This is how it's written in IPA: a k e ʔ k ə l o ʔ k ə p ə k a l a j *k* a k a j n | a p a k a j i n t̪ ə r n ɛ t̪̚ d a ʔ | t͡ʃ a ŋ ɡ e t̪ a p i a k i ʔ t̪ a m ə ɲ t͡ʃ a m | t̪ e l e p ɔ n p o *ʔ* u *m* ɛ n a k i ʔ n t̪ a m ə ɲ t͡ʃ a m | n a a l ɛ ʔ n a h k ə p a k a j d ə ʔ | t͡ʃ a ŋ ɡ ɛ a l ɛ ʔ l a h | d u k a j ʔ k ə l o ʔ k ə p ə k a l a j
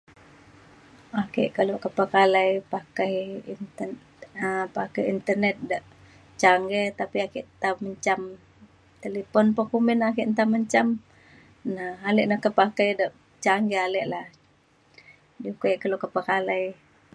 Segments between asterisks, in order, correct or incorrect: incorrect: p, incorrect: k, correct

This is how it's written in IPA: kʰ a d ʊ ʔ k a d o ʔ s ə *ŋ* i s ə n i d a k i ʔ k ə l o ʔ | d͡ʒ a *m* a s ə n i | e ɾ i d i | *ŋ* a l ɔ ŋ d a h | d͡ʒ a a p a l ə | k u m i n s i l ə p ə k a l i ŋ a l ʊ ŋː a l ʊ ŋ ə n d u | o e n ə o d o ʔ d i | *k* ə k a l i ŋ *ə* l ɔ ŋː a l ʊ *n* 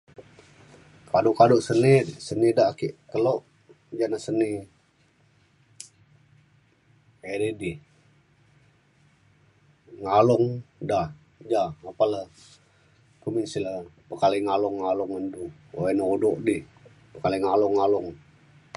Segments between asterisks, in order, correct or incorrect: incorrect: n, incorrect: n, correct, incorrect: p, incorrect: a, incorrect: ŋ

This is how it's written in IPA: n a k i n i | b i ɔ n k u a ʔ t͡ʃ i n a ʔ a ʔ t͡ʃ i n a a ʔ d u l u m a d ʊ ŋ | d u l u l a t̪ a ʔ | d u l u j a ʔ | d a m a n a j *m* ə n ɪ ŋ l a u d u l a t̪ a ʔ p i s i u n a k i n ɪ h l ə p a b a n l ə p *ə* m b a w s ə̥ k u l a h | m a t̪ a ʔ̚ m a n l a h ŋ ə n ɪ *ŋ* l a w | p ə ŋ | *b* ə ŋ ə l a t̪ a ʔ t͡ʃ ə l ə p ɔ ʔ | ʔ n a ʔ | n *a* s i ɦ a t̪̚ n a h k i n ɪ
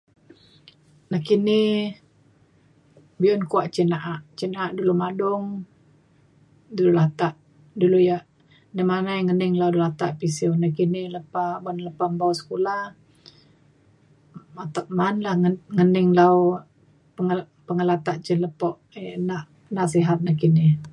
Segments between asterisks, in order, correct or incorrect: incorrect: ŋ, incorrect: a, correct, incorrect: p, correct

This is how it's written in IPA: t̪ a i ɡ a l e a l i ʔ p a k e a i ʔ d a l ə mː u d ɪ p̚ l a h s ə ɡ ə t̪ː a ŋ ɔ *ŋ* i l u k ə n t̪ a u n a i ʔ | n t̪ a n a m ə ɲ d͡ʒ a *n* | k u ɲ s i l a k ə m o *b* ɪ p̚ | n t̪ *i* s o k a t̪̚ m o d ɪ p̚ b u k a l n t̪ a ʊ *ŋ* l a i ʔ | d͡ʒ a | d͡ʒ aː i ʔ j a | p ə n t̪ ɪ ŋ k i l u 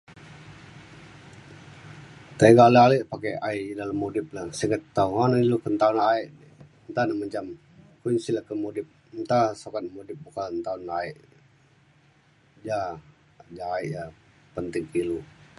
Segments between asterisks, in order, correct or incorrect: incorrect: n, incorrect: m, incorrect: d, incorrect: a, incorrect: n

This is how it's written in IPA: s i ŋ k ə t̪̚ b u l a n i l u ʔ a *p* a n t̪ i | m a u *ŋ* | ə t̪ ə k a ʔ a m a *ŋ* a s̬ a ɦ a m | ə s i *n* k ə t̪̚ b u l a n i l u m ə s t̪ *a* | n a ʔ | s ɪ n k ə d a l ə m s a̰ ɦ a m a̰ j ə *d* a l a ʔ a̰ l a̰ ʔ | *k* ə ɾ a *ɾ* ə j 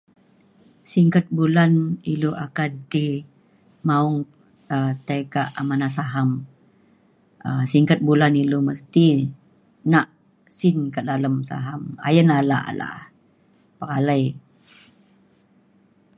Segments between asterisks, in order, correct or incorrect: incorrect: k, correct, incorrect: n, incorrect: ŋ, incorrect: i, incorrect: n, incorrect: p, incorrect: l

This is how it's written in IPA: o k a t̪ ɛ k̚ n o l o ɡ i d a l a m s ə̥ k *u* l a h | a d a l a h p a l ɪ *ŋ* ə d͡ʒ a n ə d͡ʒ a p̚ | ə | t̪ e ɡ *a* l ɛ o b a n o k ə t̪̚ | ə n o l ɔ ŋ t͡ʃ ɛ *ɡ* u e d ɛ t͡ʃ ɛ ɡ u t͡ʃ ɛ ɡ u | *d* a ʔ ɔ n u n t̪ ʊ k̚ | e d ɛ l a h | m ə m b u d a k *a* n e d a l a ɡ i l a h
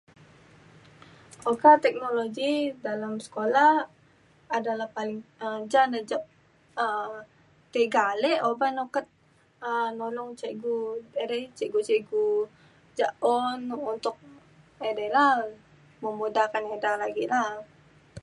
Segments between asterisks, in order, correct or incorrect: incorrect: o, correct, correct, correct, incorrect: d͡ʒ, correct

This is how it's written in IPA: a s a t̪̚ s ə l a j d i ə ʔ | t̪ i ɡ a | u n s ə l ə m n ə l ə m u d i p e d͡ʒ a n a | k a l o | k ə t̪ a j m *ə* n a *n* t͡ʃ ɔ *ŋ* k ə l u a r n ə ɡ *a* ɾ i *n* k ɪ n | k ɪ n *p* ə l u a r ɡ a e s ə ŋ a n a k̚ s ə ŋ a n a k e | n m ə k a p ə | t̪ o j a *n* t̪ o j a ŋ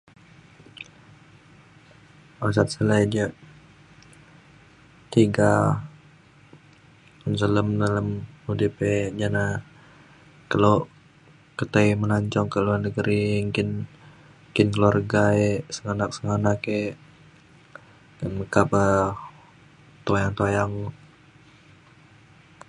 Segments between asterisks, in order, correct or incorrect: correct, incorrect: ɲ, correct, incorrect: ə, incorrect: ŋ, incorrect: k, incorrect: ŋ

